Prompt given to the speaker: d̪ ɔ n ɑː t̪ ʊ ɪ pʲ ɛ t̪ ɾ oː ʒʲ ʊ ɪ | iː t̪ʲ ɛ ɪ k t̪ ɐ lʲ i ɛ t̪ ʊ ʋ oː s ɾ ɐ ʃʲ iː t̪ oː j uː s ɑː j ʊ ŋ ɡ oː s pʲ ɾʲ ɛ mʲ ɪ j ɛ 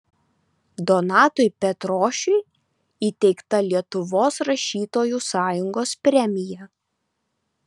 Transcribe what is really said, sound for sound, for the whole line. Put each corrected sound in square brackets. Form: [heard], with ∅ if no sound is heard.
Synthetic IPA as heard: d̪ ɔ n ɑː t̪ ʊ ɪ pʲ ɛ t̪ ɾ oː [ʃʲ] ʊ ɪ | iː t̪ʲ ɛ ɪ k t̪ ɐ lʲ i ɛ t̪ ʊ ʋ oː s ɾ ɐ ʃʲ iː t̪ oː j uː s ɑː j ʊ ŋ ɡ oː s pʲ ɾʲ ɛ mʲ ɪ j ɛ